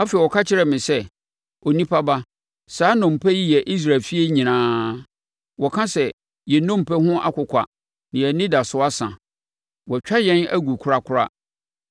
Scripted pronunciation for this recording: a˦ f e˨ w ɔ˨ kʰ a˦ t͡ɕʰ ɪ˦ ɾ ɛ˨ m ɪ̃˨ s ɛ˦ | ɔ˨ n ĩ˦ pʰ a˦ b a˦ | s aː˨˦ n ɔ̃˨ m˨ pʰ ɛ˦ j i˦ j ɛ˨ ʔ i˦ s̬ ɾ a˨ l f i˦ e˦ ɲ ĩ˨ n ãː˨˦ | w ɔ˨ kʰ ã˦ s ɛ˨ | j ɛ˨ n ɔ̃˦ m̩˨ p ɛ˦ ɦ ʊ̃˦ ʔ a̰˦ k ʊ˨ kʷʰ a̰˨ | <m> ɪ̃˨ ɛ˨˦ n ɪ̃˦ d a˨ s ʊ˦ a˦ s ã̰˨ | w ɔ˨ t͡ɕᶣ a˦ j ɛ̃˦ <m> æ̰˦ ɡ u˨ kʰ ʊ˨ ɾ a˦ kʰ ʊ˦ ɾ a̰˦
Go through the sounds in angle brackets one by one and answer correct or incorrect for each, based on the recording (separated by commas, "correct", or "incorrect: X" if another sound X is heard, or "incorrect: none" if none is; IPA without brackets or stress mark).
incorrect: n, incorrect: n